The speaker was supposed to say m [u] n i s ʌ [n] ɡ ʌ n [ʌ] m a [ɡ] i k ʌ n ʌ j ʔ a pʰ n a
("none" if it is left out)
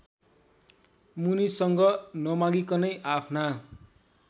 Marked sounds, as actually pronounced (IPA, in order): u, ŋ, ʌ, ɡ

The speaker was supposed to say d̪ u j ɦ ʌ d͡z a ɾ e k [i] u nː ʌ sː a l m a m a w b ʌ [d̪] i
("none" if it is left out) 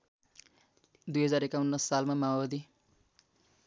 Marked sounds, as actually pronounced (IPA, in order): a, d̪

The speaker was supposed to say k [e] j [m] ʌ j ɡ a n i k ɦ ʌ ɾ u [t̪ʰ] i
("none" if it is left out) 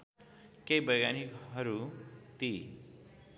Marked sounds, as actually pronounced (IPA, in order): e, b, t̪

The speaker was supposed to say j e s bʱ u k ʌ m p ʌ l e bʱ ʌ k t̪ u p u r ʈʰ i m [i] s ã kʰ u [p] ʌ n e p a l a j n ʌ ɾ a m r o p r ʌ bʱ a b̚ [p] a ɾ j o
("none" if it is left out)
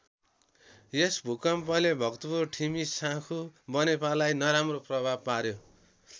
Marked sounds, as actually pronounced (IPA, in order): i, b, p

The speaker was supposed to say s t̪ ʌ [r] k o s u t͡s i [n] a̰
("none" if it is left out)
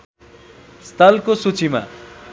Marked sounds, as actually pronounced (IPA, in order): l, m

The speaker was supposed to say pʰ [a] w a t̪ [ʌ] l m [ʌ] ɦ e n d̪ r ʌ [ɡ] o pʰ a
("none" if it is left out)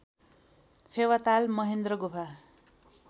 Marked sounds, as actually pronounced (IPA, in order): e, a, ʌ, ɡ

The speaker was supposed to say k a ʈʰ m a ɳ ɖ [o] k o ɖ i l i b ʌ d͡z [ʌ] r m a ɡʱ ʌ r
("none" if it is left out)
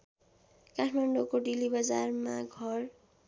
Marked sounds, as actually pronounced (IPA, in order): o, a

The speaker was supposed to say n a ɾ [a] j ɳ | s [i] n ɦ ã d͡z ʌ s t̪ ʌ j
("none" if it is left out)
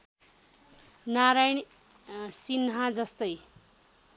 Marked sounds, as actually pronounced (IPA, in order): a, i

